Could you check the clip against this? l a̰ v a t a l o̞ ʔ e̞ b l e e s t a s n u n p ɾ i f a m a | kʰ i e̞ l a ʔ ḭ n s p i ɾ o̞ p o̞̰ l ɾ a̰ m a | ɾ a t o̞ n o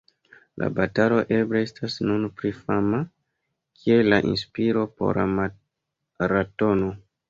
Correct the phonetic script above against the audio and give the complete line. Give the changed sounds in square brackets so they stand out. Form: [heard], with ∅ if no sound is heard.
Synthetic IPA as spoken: l a̰ [b] a t a l o̞ ʔ e̞ b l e e s t a s n u n p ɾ i f a m a | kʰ i e̞ l a ʔ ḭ n s p i ɾ o̞ p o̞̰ [∅] ɾ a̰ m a | ɾ a t o̞ n o